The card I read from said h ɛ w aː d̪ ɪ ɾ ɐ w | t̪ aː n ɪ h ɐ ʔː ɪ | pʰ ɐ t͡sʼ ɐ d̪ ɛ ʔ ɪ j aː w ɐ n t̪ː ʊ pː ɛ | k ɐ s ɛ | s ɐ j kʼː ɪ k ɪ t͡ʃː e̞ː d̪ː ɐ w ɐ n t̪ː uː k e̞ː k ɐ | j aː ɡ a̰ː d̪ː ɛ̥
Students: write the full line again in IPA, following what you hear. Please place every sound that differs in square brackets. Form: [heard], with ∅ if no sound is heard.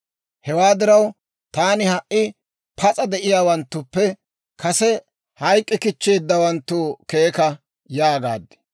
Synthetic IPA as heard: h ɛ w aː d̪ ɪ ɾ ɐ w | t̪ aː n ɪ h ɐ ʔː ɪ | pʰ ɐ t͡sʼ ɐ d̪ ɛ ʔ ɪ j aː w ɐ n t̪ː ʊ pː ɛ | k ɐ s ɛ | [h] ɐ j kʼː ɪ k ɪ t͡ʃː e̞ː d̪ː ɐ w ɐ n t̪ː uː k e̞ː k ɐ | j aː ɡ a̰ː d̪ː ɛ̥

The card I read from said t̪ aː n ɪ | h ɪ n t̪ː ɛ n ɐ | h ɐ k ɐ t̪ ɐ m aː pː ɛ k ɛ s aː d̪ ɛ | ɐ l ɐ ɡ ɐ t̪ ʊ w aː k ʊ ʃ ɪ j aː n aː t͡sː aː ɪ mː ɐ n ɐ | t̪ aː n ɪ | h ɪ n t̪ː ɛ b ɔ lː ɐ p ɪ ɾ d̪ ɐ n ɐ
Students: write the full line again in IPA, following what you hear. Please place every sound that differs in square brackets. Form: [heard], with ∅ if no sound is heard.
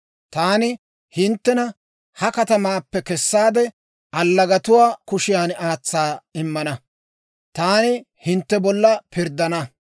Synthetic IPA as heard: t̪ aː n ɪ | h ɪ n t̪ː ɛ n ɐ | h ɐ k ɐ t̪ ɐ m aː pː ɛ k ɛ [sː] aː d̪ ɛ | ɐ [lː] ɐ ɡ ɐ t̪ ʊ w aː k ʊ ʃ ɪ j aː n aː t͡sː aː ɪ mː ɐ n ɐ | t̪ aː n ɪ | h ɪ n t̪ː ɛ b ɔ lː ɐ p ɪ ɾ d̪ ɐ n ɐ

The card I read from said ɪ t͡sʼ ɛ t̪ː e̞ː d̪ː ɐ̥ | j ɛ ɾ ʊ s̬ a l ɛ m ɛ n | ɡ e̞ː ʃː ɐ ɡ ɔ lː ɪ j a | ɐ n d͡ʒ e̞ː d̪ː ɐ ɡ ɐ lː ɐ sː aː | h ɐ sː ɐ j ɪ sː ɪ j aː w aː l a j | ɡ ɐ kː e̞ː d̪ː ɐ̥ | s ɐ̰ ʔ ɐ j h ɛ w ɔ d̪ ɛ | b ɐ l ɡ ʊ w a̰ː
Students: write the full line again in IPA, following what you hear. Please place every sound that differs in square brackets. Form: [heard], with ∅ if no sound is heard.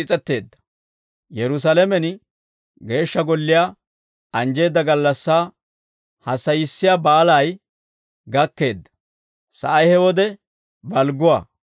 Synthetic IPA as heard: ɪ t͡sʼ ɛ t̪ː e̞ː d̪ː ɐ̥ | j ɛ ɾ ʊ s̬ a l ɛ m ɛ n | ɡ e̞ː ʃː ɐ ɡ ɔ lː ɪ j a | ɐ n d͡ʒ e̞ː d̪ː ɐ ɡ ɐ lː ɐ sː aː | h ɐ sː ɐ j ɪ sː ɪ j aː [b] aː l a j | ɡ ɐ kː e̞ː d̪ː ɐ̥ | s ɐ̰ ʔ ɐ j h ɛ w ɔ d̪ ɛ | b ɐ l ɡ ʊ w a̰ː

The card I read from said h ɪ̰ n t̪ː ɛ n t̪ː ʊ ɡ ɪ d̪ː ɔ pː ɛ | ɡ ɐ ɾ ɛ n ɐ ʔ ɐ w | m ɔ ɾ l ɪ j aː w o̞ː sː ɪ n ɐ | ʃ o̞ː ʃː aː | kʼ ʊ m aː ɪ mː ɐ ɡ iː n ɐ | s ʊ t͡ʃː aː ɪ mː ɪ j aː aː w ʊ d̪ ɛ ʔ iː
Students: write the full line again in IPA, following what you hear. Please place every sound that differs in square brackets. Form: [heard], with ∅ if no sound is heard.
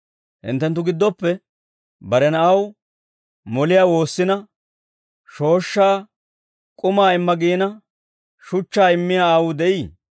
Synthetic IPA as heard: h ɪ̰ n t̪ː ɛ n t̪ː ʊ ɡ ɪ d̪ː ɔ pː ɛ | [b] ɐ ɾ ɛ n ɐ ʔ ɐ w | m ɔ [∅] l ɪ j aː w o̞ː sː ɪ n ɐ | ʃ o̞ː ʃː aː | kʼ ʊ m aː ɪ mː ɐ ɡ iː n ɐ | [ʃ] ʊ t͡ʃː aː ɪ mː ɪ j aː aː w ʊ d̪ ɛ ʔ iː

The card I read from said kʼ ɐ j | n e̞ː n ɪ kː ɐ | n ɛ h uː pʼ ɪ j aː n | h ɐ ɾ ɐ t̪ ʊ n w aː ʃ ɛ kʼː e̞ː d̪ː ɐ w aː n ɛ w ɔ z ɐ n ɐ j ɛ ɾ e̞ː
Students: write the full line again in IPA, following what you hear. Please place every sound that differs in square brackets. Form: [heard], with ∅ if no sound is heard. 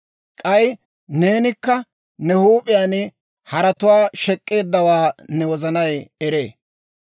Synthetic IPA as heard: kʼ ɐ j | n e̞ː n ɪ kː ɐ | n ɛ h uː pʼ ɪ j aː n | h ɐ ɾ ɐ t̪ ʊ [∅] w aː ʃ ɛ kʼː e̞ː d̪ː ɐ w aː n ɛ w ɔ z ɐ n ɐ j ɛ ɾ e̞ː

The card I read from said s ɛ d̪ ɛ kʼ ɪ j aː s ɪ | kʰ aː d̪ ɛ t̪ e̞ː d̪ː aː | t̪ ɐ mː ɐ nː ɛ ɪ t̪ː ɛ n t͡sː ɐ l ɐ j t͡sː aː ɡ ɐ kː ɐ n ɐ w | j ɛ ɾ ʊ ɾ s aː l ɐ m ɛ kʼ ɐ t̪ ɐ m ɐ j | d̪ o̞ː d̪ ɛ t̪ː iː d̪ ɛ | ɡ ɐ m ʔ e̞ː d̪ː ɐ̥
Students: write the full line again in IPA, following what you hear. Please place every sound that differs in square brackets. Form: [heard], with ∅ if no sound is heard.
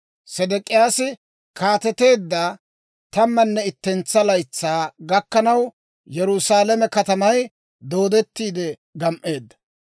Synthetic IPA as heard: s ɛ d̪ ɛ kʼ ɪ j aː s ɪ | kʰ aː [t̪] ɛ t̪ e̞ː d̪ː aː | t̪ ɐ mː ɐ nː ɛ ɪ t̪ː ɛ n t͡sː ɐ l ɐ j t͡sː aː ɡ ɐ kː ɐ n ɐ w | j ɛ ɾ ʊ [∅] s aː l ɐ m ɛ [k] ɐ t̪ ɐ m ɐ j | d̪ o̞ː d̪ ɛ t̪ː iː d̪ ɛ | ɡ ɐ m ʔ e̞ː d̪ː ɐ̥

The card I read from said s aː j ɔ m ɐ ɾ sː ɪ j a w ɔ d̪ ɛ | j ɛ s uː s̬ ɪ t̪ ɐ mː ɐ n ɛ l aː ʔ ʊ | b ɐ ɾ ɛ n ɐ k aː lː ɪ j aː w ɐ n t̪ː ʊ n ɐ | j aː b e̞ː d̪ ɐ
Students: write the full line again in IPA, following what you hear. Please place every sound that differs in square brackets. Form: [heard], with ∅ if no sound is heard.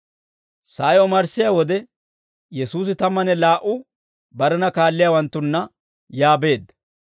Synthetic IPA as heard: s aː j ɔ m ɐ ɾ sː ɪ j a w ɔ d̪ ɛ | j ɛ s uː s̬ ɪ t̪ ɐ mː ɐ n ɛ l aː ʔ ʊ | b ɐ ɾ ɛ n ɐ k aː lː ɪ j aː w ɐ n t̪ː ʊ [nː] ɐ | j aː b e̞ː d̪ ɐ

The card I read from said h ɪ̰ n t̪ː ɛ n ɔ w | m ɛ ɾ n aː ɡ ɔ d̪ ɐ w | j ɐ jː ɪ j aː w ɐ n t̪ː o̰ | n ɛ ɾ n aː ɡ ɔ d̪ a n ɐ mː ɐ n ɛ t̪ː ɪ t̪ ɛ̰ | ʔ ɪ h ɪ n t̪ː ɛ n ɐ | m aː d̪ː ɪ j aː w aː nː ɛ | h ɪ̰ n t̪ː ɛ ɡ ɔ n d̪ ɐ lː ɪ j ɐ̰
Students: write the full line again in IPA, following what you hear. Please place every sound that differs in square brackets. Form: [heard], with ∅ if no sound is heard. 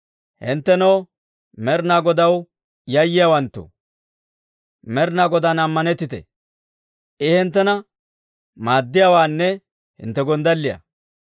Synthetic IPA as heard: h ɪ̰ n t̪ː ɛ n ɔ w | m ɛ ɾ n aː ɡ ɔ d̪ ɐ w | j ɐ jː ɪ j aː w ɐ n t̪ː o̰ | [m] ɛ ɾ n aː ɡ ɔ d̪ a n ɐ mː ɐ n ɛ t̪ː ɪ t̪ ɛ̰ | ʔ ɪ h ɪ n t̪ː ɛ n ɐ | m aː d̪ː ɪ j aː w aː nː ɛ | h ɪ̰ n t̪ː ɛ ɡ ɔ n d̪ ɐ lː ɪ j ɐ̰

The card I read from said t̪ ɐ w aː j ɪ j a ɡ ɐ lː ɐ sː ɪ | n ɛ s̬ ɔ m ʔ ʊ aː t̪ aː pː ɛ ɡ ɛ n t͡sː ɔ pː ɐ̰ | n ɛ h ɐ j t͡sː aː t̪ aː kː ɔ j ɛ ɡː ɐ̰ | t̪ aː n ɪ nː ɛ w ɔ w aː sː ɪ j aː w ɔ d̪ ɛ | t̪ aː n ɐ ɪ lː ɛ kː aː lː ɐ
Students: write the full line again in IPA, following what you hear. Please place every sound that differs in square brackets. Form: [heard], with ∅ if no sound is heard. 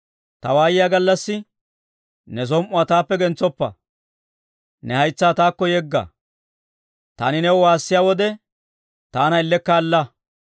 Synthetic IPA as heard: t̪ ɐ w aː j ɪ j a ɡ ɐ lː ɐ sː ɪ | n ɛ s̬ ɔ m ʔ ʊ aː t̪ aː pː ɛ ɡ ɛ n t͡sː ɔ pː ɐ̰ | n ɛ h ɐ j t͡sː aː t̪ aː kː ɔ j ɛ ɡː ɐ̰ | t̪ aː n ɪ [n] ɛ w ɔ w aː sː ɪ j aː w ɔ d̪ ɛ | t̪ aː n ɐ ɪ lː ɛ kː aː lː ɐ

